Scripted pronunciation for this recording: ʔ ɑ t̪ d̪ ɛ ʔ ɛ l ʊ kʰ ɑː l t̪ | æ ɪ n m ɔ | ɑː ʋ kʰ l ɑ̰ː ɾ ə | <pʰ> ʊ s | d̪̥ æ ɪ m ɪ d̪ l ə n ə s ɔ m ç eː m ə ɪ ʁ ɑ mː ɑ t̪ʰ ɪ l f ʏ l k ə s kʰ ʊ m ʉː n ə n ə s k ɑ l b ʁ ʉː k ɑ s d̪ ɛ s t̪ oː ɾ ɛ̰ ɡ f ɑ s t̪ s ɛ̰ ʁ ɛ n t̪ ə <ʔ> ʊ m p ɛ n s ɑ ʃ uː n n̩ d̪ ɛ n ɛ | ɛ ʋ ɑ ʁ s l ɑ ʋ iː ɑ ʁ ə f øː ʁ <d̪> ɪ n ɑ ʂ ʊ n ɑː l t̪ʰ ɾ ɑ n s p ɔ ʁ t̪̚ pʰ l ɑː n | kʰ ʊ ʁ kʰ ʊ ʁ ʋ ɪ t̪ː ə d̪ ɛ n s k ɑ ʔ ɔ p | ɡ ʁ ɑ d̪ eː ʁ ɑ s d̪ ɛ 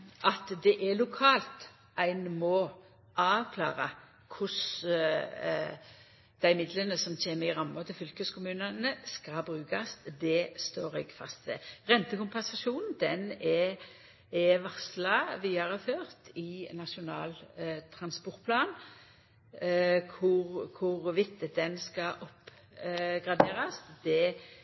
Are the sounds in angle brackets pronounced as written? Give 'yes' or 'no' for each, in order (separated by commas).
no, no, no